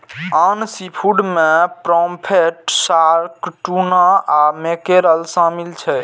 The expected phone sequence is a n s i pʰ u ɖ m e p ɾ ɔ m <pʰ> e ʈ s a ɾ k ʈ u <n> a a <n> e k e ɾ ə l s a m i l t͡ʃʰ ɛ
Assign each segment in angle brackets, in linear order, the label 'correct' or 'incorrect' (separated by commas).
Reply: correct, correct, incorrect